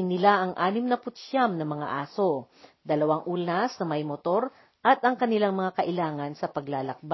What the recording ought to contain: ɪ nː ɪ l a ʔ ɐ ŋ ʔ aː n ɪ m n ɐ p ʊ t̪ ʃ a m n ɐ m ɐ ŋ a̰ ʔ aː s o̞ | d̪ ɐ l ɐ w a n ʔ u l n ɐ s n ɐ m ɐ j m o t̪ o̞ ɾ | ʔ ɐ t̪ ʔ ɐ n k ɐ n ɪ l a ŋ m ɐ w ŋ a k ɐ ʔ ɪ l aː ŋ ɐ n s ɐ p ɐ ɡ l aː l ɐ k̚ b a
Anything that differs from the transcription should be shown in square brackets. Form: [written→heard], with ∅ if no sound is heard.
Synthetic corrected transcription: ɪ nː ɪ l a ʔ ɐ ŋ ʔ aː n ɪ m n ɐ p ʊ t̪ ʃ a m n ɐ m ɐ ŋ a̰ ʔ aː s o̞ | d̪ ɐ l ɐ w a [n→ŋ] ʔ u l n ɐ s n ɐ m ɐ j m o t̪ o̞ ɾ | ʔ ɐ t̪ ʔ ɐ [n→ŋ] k ɐ n ɪ l a ŋ m ɐ [w→∅] ŋ a k ɐ ʔ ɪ l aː ŋ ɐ n s ɐ p ɐ ɡ l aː l ɐ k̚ b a